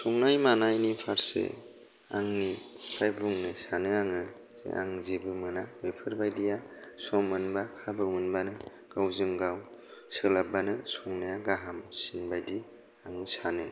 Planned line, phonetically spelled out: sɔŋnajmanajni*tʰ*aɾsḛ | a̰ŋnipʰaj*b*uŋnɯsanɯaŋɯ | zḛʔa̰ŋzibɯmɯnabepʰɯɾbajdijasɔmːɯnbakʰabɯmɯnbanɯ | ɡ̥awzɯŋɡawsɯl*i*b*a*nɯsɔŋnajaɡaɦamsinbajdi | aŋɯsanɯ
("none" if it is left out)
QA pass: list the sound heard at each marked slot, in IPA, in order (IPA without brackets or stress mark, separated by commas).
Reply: pʰ, b, a, a